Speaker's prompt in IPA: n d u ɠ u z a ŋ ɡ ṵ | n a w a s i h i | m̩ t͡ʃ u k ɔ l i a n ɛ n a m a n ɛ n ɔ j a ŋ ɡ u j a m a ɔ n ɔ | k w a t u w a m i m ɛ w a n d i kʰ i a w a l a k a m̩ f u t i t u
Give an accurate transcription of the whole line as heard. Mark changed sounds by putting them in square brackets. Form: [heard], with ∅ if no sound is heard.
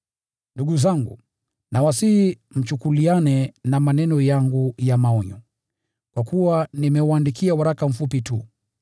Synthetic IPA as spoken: n d u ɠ u z a ŋ ɡ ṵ | n a w a s i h i | m̩ t͡ʃ u k [u] l i a n ɛ n a m a n ɛ n ɔ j a ŋ ɡ u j a m a ɔ [ɲ] ɔ | k w a [k] u w a [n] i m ɛ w a n d i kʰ i a w a [ɾ] a k a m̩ f u [p] i t u

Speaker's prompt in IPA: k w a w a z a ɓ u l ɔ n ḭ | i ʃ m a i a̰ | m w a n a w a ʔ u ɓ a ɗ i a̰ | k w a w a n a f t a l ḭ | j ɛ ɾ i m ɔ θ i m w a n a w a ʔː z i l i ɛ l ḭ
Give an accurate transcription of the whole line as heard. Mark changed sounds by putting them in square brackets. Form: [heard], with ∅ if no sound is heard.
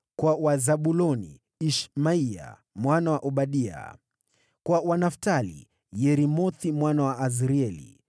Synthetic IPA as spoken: k w a w a z a ɓ u l ɔ n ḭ | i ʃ m a i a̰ | m w a n a w a ʔ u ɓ a ɗ i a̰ | k w a w a n a f t a l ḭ | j ɛ ɾ i m ɔ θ i m w a n a w a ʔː z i [ɾ] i ɛ l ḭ

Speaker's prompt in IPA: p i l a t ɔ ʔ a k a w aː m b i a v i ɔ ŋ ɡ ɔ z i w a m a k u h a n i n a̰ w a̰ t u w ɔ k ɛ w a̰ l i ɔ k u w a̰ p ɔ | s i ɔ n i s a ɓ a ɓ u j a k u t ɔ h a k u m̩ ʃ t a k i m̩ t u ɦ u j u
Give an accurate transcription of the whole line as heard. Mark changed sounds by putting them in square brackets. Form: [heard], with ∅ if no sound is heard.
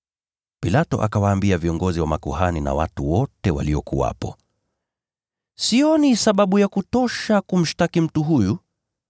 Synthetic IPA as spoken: p i l a t ɔ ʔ a k a w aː m b i a v i ɔ ŋ ɡ ɔ z i w a m a k u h a n i n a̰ w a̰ t u w ɔ [t] ɛ w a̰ l i ɔ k u w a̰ p ɔ | s i ɔ n i s a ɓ a ɓ u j a k u t ɔ [ʃ] a k u m̩ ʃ t a k i m̩ t u ɦ u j u

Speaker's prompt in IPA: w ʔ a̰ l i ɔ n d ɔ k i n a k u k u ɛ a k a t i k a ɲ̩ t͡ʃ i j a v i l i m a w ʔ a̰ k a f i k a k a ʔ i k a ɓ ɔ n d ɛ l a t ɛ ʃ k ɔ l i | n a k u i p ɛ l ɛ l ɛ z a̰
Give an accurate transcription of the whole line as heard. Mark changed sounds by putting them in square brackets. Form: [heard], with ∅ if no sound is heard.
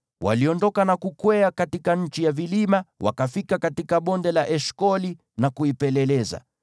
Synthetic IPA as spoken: w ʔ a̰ l i ɔ n d ɔ k [a] n a k u k [w] ɛ a k a t i k a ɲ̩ t͡ʃ i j a v i l i m a w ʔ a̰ k a f i k a k a [t] i k a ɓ ɔ n d ɛ l a [ʔ] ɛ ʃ k ɔ l i | n a k u i p ɛ l ɛ l ɛ z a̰

